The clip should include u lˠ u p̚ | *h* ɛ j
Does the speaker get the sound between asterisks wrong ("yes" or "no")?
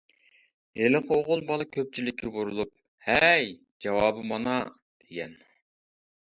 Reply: no